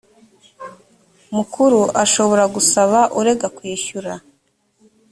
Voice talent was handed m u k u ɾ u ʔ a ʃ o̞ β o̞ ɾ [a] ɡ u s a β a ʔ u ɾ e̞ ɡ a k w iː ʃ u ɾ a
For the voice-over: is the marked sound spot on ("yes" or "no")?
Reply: yes